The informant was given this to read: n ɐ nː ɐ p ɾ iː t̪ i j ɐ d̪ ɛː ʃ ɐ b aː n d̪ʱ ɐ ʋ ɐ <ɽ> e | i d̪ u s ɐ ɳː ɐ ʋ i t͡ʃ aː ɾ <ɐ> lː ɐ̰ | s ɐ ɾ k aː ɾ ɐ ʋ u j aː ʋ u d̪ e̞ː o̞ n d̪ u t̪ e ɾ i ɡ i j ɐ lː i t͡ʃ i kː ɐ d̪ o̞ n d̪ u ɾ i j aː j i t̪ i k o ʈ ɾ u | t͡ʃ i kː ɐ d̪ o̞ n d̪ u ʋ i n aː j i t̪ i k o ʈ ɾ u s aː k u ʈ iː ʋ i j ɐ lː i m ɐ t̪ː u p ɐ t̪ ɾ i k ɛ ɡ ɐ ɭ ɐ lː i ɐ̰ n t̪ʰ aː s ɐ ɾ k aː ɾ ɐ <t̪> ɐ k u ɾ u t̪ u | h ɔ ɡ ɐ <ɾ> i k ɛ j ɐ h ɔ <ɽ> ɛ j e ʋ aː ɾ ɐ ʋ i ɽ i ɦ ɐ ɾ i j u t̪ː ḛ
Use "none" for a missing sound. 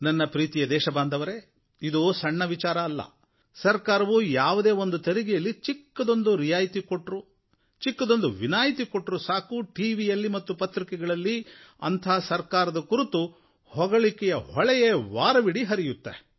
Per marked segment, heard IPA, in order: ɾ, ɐː, d̪, ɭ, ɭ

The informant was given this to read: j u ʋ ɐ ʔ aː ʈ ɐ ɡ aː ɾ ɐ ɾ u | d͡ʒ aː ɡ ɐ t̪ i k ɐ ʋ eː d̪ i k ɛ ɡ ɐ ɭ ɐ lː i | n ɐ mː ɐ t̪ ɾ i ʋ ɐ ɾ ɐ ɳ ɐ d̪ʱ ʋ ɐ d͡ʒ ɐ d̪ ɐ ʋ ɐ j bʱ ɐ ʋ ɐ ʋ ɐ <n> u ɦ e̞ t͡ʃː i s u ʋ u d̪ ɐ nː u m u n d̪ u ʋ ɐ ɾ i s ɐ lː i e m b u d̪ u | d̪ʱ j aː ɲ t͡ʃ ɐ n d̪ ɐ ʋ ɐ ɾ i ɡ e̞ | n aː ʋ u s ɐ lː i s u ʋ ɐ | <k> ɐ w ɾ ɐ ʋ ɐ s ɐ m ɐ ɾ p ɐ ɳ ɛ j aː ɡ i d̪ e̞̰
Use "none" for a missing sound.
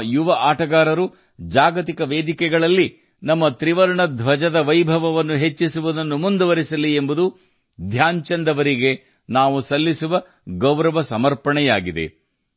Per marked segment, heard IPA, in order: nː, ɡ

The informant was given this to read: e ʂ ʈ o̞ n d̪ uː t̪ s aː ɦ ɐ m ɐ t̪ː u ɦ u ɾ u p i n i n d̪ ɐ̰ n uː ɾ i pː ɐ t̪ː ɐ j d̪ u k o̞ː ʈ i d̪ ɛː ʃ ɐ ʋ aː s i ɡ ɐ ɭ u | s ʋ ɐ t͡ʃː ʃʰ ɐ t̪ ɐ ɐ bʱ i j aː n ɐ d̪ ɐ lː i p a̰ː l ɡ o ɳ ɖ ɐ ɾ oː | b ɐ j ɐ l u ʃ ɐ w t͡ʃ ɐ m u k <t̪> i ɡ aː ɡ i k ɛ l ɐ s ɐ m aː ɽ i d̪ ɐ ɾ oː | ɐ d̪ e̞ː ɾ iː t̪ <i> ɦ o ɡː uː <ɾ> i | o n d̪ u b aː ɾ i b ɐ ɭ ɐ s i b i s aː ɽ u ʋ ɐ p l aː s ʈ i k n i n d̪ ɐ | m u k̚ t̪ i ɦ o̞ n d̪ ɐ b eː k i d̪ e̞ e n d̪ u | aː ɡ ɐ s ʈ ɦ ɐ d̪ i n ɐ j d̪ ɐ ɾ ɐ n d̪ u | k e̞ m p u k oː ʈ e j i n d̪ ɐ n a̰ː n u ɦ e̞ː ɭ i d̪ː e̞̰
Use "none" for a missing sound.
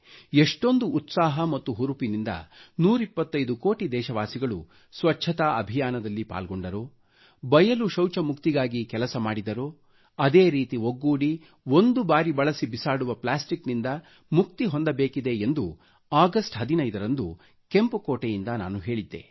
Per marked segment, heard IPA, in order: t̪, i, ɽ

